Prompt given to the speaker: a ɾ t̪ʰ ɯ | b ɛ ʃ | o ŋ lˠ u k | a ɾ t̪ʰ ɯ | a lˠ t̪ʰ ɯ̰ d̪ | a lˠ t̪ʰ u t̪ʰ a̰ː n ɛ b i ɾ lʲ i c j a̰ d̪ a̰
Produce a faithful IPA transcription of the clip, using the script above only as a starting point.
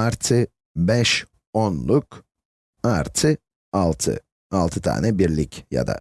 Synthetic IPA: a ɾ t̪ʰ ɯ | b ɛ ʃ | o n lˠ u k | a ɾ t̪ʰ ɯ | a lˠ t̪ʰ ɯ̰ | a lˠ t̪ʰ ɯ t̪ʰ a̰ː n ɛ b i ɾ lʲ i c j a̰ d̪ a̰